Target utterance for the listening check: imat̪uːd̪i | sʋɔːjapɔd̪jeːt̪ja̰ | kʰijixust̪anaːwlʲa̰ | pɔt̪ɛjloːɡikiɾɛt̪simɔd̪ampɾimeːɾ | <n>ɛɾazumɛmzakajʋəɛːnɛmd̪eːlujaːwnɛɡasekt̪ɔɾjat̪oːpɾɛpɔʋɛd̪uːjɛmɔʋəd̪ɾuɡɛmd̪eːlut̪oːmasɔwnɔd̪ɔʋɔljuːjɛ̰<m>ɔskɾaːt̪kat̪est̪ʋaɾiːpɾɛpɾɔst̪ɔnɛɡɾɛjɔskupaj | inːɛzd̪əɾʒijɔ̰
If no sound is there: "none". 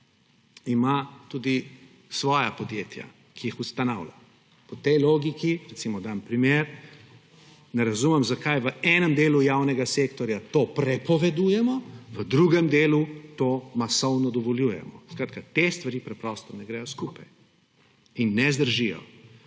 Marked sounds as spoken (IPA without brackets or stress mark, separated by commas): n, m